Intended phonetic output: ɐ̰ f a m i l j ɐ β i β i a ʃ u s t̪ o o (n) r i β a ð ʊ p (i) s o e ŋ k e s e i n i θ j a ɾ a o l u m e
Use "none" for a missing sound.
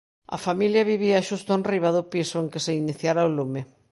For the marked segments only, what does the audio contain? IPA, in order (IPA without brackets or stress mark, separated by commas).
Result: n, i